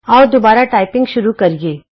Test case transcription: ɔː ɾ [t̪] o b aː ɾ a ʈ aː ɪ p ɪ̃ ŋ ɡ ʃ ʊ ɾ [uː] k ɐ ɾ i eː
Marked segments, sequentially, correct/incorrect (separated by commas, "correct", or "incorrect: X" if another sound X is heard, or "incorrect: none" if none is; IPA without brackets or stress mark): incorrect: d̪, incorrect: u